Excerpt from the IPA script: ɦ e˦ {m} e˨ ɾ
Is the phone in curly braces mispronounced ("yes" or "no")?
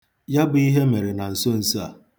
no